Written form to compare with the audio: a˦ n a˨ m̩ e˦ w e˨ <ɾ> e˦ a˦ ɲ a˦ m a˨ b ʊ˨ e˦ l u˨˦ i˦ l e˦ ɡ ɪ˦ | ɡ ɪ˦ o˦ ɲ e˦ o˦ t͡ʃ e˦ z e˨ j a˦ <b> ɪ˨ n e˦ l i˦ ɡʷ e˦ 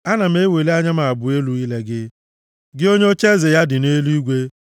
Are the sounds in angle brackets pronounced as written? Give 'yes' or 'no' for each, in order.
no, no

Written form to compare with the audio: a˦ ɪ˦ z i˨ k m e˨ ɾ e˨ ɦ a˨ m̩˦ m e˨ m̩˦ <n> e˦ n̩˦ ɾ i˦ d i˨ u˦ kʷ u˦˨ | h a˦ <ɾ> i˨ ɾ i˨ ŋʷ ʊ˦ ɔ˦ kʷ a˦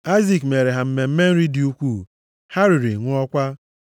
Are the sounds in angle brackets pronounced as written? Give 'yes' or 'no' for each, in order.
no, yes

